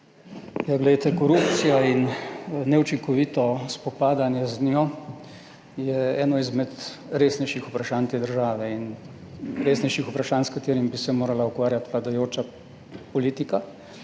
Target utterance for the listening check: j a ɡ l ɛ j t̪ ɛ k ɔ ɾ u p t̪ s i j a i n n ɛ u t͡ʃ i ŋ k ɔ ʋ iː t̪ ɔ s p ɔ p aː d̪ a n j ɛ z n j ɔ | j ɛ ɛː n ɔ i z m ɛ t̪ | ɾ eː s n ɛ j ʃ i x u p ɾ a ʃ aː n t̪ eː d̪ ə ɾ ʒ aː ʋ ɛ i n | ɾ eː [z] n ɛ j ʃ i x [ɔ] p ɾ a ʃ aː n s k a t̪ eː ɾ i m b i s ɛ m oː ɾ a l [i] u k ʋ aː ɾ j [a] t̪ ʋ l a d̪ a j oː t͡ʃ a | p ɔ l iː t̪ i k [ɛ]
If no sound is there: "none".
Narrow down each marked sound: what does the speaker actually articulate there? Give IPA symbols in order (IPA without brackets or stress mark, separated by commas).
s, u, a, a, a